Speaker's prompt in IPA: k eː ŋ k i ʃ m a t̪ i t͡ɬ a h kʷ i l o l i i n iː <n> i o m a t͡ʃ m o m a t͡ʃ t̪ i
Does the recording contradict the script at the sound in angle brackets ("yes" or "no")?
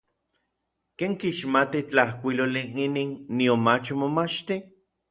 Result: yes